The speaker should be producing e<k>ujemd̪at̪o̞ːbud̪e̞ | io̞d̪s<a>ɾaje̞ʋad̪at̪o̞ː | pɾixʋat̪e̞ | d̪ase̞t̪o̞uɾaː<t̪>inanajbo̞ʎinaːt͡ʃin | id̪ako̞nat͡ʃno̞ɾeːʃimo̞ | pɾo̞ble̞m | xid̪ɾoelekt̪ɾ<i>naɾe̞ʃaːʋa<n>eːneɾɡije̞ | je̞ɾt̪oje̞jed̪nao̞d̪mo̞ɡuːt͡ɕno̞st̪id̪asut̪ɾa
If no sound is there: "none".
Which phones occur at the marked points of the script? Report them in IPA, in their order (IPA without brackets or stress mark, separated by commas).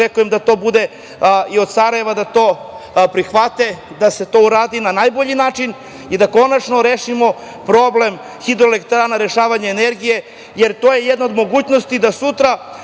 k, a, d̪, a, ɲ